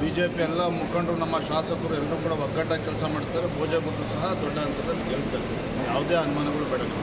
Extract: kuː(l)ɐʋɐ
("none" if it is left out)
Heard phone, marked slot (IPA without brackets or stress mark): ɽ